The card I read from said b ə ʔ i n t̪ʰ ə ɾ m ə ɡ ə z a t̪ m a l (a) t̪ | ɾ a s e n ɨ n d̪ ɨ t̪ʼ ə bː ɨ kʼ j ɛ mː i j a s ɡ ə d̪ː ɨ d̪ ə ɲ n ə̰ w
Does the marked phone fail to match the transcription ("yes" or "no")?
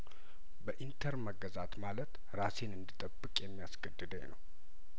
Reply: yes